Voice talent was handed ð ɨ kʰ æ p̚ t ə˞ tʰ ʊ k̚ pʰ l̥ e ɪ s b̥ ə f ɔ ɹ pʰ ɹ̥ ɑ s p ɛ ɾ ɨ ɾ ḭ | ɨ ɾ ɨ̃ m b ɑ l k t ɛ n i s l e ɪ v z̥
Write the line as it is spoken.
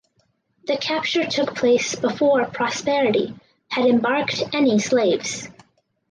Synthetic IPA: ð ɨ kʰ æ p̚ t͡ʃ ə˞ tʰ ʊ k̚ pʰ l̥ e ɪ s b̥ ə f ɔ ɹ pʰ ɹ̥ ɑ s p ɛ ɹ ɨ ɾ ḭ | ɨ ɾ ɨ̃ m b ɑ ɹ k t ɛ n i s l e ɪ v z̥